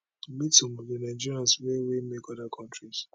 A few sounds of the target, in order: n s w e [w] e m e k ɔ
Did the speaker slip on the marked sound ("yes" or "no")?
no